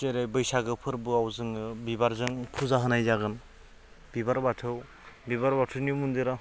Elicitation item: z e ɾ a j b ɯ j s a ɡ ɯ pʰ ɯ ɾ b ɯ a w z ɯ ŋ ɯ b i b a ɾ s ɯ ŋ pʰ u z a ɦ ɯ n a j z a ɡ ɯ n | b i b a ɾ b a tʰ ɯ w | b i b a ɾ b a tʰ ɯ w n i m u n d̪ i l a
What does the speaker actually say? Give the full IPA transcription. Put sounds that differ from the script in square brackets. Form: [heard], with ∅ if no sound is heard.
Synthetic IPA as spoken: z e ɾ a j b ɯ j s a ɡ ɯ pʰ ɯ ɾ b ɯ a w z ɯ ŋ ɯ b i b a ɾ [z] ɯ ŋ pʰ u z a ɦ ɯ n a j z a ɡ ɯ n | b i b a ɾ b a tʰ ɯ w | b i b a ɾ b a tʰ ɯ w n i m u n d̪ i [ɾ] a